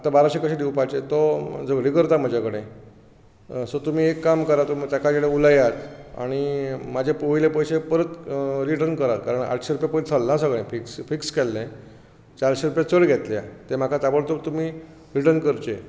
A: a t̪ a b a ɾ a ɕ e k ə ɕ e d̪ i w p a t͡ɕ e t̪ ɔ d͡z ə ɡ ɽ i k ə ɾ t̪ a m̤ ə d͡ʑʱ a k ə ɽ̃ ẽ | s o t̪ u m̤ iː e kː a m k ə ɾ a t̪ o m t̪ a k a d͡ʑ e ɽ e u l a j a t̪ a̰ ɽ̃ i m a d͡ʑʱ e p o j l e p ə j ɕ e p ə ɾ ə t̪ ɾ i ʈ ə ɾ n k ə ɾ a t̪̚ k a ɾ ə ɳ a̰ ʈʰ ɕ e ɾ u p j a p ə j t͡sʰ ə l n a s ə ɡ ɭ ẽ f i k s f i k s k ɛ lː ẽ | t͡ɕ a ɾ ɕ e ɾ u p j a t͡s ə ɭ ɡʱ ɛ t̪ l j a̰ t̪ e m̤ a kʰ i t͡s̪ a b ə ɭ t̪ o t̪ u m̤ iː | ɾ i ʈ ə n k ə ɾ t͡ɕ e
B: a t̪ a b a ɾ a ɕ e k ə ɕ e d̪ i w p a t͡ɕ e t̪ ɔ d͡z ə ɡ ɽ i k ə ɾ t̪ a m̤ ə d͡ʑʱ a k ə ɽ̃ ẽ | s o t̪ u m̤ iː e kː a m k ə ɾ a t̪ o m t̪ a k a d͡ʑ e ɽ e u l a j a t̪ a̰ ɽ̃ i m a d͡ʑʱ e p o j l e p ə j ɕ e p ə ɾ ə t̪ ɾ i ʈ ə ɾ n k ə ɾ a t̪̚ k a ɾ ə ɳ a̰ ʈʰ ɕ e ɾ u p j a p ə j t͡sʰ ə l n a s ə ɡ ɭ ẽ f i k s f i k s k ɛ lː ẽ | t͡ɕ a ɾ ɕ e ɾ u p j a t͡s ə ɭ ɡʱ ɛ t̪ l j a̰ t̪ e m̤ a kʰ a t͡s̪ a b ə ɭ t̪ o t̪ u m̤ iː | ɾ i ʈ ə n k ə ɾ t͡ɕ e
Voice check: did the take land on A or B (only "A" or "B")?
B